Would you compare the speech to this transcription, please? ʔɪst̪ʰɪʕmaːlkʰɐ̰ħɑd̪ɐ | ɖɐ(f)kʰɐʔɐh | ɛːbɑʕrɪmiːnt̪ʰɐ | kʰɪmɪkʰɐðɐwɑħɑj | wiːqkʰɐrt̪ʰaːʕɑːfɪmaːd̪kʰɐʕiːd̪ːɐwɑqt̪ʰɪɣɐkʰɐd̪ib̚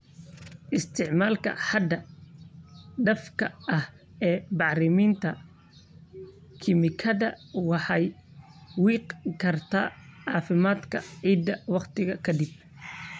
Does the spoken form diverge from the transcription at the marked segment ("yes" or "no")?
no